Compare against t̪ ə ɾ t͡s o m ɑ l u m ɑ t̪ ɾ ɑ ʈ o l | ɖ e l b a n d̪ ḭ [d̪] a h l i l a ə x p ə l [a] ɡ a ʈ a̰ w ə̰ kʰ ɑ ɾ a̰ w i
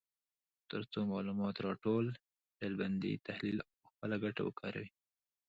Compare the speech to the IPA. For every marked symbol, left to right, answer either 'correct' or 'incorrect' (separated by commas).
incorrect, correct